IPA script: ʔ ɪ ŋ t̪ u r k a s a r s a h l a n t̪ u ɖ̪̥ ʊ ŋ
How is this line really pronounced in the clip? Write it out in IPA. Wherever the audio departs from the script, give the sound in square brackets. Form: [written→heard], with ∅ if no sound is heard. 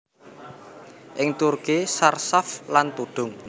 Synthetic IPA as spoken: ʔ ɪ ŋ t̪ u r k [a→i] s a r s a [h→f] l a n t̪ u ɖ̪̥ ʊ ŋ

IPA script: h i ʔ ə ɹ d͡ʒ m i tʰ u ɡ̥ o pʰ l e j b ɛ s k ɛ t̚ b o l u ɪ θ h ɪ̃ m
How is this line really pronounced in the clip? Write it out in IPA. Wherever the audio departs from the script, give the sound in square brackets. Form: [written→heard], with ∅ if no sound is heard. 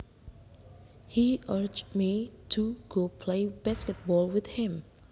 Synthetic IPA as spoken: h i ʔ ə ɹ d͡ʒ m i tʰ u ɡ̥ o pʰ l e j b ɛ s k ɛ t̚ b [o→ɔ] l [u→w] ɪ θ h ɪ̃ m

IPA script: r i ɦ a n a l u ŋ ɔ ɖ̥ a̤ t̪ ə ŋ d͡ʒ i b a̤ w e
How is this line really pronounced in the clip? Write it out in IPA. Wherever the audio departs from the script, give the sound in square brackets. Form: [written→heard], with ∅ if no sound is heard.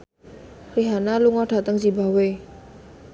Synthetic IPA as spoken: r i ɦ a n a l u ŋ ɔ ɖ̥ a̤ t̪ ə ŋ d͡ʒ i b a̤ w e

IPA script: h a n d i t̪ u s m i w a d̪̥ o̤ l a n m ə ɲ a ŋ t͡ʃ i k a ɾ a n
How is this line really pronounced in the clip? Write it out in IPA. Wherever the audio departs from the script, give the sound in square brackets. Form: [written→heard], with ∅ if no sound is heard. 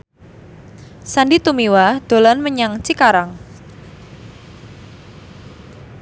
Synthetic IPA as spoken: [h→s] a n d i t̪ u [s→∅] m i w a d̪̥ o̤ l a n m ə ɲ a ŋ t͡ʃ i k a ɾ a [n→ŋ]

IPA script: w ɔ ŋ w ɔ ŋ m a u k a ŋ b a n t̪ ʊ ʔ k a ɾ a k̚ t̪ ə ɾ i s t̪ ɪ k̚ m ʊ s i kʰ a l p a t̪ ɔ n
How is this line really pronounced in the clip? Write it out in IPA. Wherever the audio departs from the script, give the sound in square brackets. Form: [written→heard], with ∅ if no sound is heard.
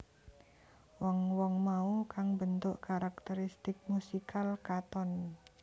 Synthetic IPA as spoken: w ɔ ŋ w ɔ ŋ m a u k a ŋ b [a→ə] n t̪ ʊ ʔ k a ɾ a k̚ t̪ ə ɾ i s t̪ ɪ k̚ m [ʊ→u] s i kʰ a l [p→k] a t̪ ɔ n

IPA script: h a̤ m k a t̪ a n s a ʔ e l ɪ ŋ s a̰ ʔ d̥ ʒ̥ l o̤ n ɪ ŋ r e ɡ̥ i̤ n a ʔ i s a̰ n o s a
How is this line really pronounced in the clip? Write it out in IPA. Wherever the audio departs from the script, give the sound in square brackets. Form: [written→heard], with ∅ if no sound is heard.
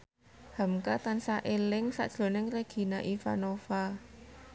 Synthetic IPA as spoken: h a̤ m k a t̪ a n s a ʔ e l ɪ ŋ s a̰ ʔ d̥ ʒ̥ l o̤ n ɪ ŋ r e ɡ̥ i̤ n a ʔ i [s→f] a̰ n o [s→f] a

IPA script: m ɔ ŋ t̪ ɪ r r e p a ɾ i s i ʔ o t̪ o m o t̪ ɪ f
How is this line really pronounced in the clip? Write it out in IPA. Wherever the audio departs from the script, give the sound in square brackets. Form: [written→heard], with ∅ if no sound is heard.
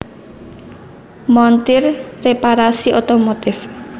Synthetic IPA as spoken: m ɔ [ŋ→n] t̪ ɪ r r e p a ɾ [i→a] s i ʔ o t̪ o m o t̪ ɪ f

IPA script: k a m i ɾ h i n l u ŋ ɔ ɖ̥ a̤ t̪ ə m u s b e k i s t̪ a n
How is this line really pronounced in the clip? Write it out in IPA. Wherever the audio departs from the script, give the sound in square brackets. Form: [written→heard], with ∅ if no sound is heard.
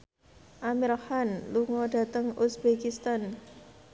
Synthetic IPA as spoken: [k→ʔ] a m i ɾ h [i→a] n l u ŋ ɔ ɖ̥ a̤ t̪ ə [m→ŋ] u s b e k i s t̪ a n

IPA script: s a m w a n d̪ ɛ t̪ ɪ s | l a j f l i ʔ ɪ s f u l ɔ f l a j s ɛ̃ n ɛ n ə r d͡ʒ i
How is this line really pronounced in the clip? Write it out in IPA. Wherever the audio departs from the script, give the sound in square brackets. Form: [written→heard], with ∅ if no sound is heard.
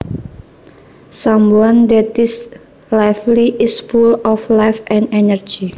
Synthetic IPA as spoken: s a m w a n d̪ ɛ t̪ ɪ s | l a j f l i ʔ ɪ s f u l ɔ f l a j [s→f] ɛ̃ n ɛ n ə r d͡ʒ i

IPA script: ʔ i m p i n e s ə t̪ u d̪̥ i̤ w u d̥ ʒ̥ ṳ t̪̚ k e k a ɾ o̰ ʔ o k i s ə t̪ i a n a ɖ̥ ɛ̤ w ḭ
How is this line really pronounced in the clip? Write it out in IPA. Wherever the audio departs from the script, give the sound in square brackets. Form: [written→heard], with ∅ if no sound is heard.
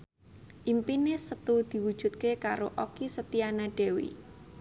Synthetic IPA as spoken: ʔ i m p i n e s ə t̪ u d̪̥ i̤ w u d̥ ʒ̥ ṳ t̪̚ k e k a ɾ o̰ ʔ o k i s ə t̪ i a n a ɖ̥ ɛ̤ w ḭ

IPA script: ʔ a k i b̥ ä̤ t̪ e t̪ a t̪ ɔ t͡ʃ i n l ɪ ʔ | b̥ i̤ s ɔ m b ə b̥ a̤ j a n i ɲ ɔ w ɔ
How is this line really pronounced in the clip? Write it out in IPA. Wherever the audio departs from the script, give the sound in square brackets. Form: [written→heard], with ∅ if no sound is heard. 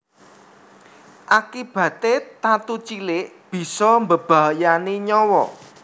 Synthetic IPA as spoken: ʔ a k i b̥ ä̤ t̪ e t̪ a t̪ [ɔ→u] t͡ʃ i [n→∅] l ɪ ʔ | b̥ i̤ s ɔ m b ə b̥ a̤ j a n i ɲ ɔ w ɔ

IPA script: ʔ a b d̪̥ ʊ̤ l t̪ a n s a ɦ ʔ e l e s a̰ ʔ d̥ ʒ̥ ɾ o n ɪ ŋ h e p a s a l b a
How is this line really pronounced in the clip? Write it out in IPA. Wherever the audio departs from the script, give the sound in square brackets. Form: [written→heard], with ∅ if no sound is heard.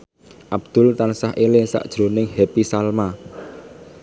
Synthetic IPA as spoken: ʔ a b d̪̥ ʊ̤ l t̪ a n s a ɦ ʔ e l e s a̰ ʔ d̥ ʒ̥ ɾ o n ɪ ŋ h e p [a→i] s a l [b→m] a

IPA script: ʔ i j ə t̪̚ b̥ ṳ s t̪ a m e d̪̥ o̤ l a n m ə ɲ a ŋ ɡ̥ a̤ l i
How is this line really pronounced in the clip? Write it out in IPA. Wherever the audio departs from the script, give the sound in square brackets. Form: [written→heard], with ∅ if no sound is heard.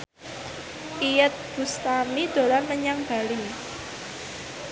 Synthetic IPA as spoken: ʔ i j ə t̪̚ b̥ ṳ s t̪ a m [e→i] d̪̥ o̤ l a n m ə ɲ a ŋ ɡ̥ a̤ l i

